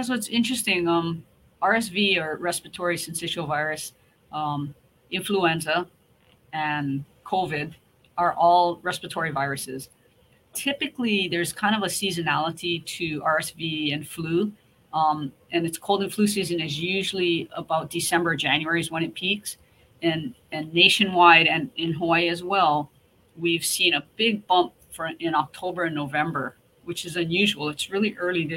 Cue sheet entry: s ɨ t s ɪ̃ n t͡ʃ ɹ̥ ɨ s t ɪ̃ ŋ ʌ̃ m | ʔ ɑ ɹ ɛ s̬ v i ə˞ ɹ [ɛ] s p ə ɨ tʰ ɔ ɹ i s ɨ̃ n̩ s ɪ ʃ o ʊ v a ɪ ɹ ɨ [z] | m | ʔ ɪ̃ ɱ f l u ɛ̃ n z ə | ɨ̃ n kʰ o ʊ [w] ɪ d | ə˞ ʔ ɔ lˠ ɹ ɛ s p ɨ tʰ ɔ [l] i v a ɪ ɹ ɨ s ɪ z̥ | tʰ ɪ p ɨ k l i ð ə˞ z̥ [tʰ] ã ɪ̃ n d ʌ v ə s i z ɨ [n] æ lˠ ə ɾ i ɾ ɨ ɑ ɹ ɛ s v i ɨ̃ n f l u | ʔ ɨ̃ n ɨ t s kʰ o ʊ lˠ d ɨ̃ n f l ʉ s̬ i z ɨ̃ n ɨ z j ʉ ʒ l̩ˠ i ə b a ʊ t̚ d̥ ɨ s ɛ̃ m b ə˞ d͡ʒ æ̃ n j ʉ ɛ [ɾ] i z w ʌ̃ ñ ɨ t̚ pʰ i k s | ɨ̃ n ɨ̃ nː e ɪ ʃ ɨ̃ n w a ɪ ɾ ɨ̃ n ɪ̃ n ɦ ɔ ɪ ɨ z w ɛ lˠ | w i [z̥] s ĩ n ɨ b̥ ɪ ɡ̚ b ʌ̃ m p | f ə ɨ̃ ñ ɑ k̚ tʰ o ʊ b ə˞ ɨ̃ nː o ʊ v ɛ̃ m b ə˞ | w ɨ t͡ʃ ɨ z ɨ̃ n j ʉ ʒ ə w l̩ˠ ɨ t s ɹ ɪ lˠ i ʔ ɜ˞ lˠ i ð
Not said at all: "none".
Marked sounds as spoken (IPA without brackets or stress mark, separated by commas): ɛ, s, v, ɹ, kʰ, n, ɹ, v̥